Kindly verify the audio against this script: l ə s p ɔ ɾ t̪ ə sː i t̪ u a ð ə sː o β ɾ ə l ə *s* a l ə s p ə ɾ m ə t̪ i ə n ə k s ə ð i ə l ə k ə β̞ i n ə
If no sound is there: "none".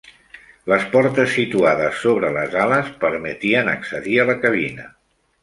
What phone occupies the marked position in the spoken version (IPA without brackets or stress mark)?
z